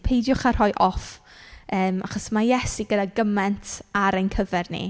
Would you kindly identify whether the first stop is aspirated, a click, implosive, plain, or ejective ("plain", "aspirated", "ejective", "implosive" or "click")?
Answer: aspirated